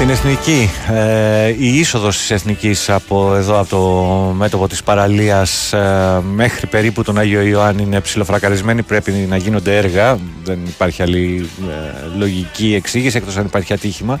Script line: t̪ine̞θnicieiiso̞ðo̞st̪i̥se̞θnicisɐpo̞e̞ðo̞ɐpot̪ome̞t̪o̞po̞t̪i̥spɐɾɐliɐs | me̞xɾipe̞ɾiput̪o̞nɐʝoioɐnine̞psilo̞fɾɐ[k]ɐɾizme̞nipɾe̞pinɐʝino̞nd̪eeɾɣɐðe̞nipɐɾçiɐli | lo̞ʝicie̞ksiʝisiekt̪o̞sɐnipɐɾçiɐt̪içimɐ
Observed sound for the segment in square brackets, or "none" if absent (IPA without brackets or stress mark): k